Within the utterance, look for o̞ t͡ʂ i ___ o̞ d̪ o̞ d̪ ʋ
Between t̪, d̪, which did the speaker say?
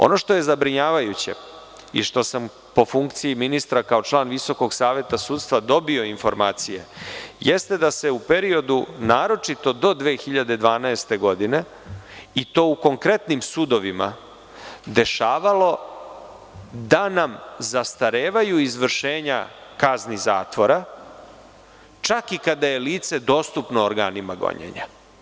t̪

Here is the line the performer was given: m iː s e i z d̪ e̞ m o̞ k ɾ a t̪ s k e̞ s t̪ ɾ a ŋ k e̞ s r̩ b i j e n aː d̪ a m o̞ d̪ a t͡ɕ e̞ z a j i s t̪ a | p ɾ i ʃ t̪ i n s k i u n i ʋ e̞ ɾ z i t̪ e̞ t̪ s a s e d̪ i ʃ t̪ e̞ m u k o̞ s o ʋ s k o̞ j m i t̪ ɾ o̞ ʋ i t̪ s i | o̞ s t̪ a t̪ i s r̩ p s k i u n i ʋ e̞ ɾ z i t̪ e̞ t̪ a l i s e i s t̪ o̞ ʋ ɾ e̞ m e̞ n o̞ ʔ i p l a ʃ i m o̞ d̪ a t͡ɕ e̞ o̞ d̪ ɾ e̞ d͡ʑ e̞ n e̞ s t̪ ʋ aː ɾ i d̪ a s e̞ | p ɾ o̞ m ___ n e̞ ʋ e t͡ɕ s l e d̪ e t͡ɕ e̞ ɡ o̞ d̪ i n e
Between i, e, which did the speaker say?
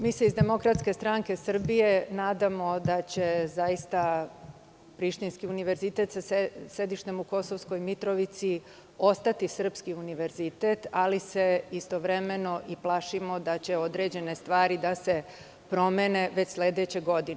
e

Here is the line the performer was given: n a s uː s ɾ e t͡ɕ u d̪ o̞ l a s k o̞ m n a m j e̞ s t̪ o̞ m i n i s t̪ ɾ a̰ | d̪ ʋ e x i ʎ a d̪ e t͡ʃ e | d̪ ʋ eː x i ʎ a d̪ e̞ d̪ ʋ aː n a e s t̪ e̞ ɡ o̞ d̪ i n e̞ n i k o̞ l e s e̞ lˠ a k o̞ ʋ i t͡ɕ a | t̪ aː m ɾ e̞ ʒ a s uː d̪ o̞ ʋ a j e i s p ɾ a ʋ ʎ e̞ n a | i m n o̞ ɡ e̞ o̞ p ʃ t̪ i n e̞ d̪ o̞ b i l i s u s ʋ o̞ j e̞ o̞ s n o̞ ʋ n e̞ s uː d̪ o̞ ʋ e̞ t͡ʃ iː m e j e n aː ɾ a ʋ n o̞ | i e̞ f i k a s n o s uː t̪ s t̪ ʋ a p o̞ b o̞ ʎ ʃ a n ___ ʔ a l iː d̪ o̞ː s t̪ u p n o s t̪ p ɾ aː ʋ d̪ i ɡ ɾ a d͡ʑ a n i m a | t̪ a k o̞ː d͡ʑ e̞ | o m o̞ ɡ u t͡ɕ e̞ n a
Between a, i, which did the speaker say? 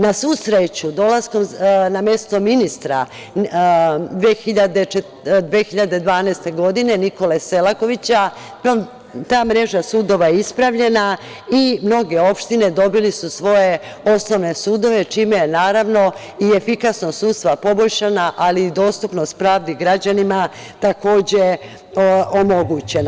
a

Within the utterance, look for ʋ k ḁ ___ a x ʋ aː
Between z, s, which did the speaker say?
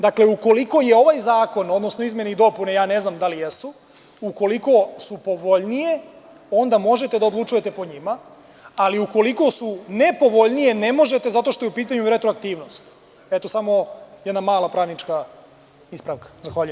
z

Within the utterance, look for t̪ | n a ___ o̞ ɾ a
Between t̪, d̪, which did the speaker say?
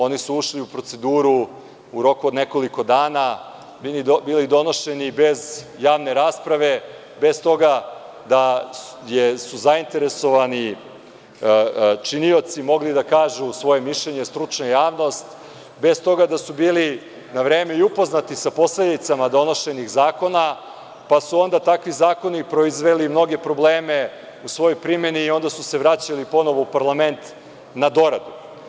d̪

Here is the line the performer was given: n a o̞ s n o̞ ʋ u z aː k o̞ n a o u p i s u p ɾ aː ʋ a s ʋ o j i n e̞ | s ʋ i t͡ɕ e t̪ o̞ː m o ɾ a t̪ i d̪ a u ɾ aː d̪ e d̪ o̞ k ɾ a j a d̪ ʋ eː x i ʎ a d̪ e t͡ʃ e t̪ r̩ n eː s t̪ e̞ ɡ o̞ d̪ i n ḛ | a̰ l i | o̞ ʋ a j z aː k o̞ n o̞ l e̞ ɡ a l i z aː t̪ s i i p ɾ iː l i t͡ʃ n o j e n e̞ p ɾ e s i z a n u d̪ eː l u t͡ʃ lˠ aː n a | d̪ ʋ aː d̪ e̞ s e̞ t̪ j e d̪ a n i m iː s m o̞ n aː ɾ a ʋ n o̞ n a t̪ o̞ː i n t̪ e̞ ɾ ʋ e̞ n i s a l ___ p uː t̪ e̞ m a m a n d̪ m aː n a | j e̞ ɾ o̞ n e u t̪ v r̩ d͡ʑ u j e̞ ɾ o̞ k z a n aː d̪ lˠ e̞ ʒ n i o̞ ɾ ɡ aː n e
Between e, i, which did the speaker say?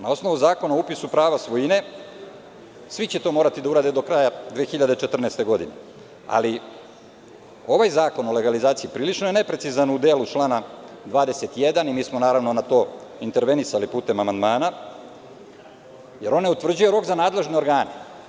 i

